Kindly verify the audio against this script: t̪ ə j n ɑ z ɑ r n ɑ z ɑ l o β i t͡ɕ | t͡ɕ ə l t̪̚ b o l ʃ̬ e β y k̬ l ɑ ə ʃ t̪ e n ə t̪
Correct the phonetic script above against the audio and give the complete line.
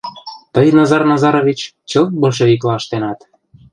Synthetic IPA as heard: t̪ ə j n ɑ z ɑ r n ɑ z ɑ ɾ o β i t͡ɕ | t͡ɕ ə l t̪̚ b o l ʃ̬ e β i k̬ l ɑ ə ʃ t̪ e n ɑ t̪